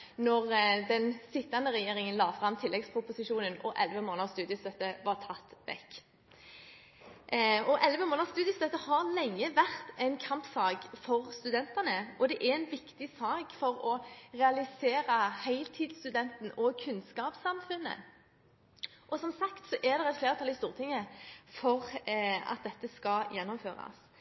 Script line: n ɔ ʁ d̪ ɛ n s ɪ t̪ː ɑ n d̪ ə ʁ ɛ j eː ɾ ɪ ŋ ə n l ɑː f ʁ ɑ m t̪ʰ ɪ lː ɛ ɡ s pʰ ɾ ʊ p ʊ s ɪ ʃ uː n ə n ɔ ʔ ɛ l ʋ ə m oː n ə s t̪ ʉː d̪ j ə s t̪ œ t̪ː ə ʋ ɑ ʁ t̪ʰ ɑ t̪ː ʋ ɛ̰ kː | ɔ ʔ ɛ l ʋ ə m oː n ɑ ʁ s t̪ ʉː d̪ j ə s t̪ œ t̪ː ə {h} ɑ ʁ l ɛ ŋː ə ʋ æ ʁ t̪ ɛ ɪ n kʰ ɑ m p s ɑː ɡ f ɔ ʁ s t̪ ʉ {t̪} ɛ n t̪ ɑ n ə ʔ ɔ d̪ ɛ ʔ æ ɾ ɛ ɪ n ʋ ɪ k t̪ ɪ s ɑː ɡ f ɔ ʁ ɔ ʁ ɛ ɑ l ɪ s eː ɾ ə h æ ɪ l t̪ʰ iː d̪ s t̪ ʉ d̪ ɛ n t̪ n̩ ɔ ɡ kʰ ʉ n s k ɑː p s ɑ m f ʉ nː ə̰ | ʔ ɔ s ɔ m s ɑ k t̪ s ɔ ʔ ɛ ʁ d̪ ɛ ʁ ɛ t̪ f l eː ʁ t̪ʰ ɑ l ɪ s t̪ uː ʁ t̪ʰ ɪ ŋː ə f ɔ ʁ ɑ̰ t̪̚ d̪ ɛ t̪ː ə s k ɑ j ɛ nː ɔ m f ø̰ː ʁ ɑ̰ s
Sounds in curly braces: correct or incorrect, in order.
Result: correct, incorrect

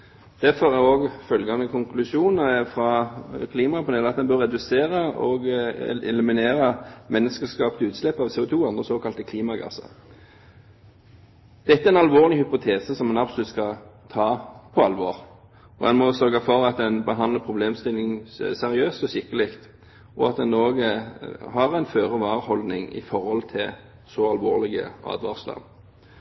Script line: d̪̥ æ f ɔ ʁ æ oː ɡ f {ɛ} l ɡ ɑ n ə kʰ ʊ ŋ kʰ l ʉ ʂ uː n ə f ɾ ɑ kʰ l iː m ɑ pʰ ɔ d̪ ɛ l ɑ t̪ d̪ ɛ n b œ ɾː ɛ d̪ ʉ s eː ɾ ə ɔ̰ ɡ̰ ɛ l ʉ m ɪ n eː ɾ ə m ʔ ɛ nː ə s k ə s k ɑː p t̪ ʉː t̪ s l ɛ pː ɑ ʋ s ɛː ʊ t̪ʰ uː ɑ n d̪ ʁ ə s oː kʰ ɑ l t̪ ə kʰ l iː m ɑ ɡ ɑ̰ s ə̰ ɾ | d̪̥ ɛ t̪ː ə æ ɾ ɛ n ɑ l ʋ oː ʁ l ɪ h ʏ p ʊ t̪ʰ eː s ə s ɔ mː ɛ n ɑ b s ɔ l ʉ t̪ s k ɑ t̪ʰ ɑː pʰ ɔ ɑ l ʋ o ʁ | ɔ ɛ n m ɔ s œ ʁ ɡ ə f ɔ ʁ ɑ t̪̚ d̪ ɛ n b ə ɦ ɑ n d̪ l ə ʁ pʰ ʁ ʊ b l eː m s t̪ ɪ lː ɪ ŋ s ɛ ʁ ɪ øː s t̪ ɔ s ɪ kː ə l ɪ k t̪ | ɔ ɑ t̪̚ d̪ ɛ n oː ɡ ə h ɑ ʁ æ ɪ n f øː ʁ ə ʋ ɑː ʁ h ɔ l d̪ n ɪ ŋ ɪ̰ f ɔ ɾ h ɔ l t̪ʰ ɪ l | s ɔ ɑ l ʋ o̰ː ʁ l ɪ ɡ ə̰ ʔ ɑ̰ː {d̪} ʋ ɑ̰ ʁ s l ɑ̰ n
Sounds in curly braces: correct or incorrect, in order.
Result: incorrect, correct

